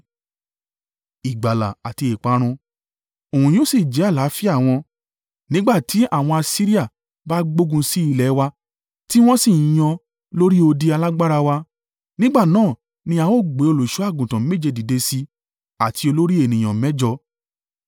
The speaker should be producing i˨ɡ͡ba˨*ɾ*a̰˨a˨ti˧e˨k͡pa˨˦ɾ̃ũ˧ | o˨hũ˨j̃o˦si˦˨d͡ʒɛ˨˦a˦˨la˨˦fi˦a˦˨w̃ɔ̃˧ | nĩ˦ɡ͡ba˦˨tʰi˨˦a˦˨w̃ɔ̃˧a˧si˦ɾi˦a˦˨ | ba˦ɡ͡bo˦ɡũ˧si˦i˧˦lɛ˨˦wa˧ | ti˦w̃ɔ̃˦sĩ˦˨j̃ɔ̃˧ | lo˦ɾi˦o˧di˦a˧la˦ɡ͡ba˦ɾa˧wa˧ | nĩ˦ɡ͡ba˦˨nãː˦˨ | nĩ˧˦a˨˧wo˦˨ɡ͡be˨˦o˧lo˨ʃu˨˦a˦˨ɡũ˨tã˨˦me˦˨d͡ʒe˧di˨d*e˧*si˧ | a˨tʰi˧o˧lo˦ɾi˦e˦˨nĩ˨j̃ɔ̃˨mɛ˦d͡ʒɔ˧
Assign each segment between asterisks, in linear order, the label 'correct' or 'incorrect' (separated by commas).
incorrect, correct